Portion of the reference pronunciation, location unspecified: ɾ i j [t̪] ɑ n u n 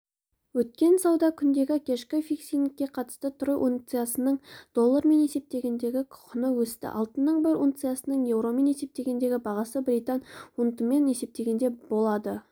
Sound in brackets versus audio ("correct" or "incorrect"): correct